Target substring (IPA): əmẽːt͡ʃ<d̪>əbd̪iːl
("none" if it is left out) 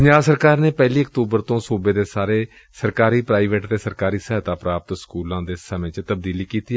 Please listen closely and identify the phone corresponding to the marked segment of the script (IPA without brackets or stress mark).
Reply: t̪